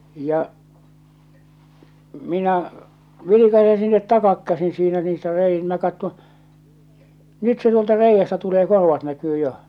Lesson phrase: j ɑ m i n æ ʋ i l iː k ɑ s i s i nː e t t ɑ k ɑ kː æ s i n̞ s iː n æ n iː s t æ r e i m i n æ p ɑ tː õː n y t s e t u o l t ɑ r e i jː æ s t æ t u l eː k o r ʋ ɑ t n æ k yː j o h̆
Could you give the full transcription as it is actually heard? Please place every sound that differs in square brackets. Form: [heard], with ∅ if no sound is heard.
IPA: j ɑ m i n æ ʋ i l [i] k ɑ s [e] s i nː e t t ɑ k ɑ kː æ s i n̞ s iː n æ n iː s t æ r e i m i n æ [k] ɑ tː õː n y t s e t u o l t ɑ r e i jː æ s t æ t u l eː k o r ʋ ɑ t n æ k yː j o h̆